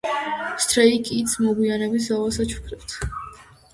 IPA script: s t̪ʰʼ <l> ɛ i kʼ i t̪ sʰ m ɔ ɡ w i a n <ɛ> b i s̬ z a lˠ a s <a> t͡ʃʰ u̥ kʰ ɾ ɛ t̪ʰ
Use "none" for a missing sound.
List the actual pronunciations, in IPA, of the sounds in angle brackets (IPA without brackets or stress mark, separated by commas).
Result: ɾ, ɛ, a